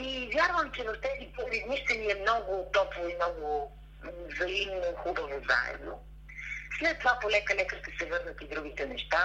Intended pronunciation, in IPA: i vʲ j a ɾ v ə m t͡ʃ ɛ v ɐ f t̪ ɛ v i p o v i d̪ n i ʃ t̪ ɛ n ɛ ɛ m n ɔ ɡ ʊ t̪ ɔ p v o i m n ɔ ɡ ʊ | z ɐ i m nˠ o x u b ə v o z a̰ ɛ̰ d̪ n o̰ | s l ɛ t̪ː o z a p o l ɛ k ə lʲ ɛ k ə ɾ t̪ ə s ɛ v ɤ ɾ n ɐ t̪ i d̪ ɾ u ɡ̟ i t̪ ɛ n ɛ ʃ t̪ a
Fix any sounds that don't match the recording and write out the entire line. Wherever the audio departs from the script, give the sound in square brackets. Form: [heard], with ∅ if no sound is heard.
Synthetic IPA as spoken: i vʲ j a ɾ v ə m t͡ʃ ɛ v ɐ f t̪ ɛ [z] i p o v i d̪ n i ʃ t̪ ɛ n [i] ɛ m n ɔ ɡ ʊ t̪ ɔ p v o i m n ɔ ɡ ʊ | z ɐ i m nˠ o x u b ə v o z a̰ ɛ̰ d̪ n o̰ | s l ɛ t̪ː o [v] a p o l ɛ k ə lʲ ɛ k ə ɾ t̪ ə s ɛ v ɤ ɾ n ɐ t̪ i d̪ ɾ u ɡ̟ i t̪ ɛ n ɛ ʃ t̪ a